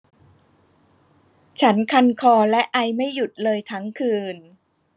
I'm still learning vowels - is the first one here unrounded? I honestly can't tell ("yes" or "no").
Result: yes